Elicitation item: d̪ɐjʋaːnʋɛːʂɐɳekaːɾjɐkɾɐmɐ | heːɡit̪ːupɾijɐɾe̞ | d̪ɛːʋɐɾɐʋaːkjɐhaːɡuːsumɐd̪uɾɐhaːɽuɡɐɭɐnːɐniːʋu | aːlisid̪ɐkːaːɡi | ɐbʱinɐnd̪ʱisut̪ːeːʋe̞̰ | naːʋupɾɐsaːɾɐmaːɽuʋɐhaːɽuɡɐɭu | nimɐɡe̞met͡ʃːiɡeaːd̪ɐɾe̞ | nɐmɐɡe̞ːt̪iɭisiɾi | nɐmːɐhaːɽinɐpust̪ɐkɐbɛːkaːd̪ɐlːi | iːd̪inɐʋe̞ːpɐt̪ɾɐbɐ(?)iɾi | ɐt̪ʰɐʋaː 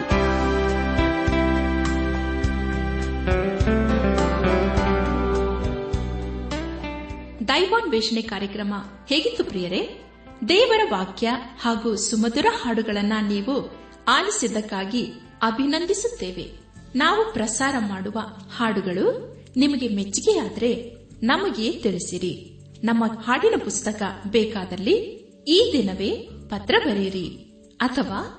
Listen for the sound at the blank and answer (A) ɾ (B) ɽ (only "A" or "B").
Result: A